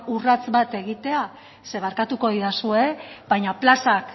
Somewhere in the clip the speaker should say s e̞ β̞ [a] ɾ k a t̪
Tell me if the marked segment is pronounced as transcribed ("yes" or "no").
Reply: yes